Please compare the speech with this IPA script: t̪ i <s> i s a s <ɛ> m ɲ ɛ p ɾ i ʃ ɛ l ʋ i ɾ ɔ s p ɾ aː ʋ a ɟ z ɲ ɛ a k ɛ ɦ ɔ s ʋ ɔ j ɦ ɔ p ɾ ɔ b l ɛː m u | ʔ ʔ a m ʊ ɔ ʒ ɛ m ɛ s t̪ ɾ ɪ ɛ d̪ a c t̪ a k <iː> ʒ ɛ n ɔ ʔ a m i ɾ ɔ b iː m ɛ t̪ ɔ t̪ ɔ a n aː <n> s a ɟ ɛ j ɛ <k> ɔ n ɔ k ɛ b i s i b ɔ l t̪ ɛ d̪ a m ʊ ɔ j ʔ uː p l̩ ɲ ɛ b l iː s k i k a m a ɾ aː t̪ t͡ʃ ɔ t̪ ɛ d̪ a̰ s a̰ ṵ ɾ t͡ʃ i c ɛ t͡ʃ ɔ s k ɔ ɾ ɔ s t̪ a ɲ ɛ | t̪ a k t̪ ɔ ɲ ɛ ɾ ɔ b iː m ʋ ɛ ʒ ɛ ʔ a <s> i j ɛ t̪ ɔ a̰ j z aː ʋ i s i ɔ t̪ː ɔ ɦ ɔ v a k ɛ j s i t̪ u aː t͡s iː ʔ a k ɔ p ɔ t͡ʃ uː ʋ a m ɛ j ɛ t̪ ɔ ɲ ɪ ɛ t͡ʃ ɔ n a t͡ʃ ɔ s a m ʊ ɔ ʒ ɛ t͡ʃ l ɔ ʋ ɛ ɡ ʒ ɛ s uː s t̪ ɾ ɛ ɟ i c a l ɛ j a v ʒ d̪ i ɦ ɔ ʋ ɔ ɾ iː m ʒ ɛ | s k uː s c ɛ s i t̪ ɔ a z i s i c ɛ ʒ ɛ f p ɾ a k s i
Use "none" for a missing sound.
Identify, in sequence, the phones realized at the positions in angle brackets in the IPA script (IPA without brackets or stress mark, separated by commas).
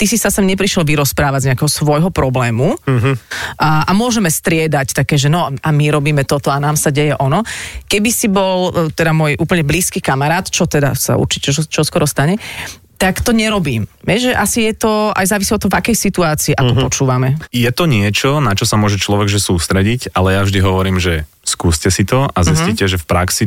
s, ɛ, ɛː, m, ʔ, s